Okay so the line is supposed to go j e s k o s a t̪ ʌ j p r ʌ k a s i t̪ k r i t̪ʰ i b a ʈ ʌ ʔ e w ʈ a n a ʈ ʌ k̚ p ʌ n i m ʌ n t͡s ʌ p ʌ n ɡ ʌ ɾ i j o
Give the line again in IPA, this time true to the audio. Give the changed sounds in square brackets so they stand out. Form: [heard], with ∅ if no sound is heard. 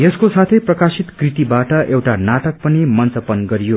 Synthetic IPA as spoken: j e s k o s a [t̪ʰ] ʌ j p r ʌ k a s i t̪ k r i [t̪] i b a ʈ ʌ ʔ e w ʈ a n a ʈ ʌ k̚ p ʌ n i m ʌ n t͡s ʌ p ʌ n ɡ ʌ ɾ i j o